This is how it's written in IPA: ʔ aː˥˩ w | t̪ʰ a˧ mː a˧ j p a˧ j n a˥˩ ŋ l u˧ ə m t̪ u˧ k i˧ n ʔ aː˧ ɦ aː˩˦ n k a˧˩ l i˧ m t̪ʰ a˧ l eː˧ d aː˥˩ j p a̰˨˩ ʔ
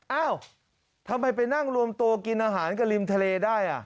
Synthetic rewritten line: ʔ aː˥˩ w | t̪ʰ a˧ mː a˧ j p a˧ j n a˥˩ ŋ ɾ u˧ ə m t̪ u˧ k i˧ n ʔ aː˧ ɦ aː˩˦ n k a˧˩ l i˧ m t̪ʰ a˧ l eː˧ d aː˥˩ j ʔ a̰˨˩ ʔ